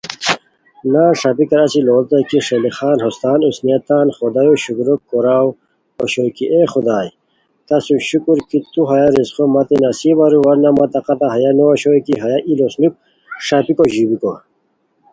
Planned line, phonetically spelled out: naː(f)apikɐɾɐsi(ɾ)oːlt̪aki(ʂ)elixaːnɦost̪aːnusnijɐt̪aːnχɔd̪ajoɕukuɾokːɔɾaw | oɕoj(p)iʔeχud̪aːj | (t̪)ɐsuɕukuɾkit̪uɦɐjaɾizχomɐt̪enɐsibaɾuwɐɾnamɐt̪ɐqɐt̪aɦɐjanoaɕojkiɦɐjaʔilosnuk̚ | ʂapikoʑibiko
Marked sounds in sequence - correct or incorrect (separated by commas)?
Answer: incorrect, incorrect, correct, incorrect, correct